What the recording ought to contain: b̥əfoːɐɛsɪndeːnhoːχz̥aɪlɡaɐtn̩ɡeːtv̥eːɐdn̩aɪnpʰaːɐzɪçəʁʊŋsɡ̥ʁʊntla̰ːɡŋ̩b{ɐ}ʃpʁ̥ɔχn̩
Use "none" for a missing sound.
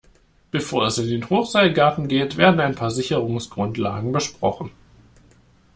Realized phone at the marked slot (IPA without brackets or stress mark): ə